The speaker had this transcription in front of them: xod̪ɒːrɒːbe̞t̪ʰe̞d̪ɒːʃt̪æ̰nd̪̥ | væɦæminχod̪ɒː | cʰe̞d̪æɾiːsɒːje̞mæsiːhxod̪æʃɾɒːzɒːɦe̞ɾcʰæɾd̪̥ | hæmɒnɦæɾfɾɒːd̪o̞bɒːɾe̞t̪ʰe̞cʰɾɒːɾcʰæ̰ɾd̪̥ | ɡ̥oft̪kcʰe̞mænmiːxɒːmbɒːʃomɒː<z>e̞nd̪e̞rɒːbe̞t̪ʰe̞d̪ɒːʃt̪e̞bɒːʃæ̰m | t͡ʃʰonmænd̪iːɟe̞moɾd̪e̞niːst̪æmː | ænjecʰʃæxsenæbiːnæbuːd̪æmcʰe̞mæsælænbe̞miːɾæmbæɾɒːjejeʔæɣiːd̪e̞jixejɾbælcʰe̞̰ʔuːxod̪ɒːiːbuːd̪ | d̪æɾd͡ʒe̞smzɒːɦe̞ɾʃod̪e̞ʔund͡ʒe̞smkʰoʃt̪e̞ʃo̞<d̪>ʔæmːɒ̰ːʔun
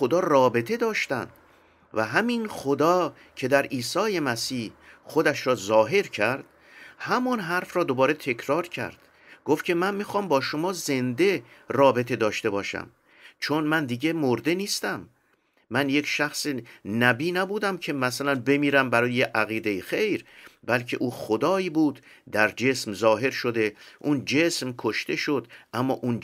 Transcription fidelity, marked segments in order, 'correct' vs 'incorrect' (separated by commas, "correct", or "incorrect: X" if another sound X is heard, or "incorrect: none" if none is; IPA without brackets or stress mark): correct, correct